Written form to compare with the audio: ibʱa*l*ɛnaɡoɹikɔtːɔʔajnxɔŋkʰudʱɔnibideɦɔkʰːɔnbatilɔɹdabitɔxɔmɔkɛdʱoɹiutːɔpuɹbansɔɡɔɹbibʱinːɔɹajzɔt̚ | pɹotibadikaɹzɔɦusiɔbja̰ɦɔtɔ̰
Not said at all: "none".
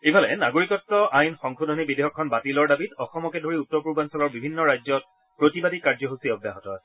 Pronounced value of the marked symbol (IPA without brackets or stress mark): l